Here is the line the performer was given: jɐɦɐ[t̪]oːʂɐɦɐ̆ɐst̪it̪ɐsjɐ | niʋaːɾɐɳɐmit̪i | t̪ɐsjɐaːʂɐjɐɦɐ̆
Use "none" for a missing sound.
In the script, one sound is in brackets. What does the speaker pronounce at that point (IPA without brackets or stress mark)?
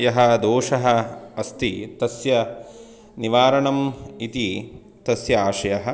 d̪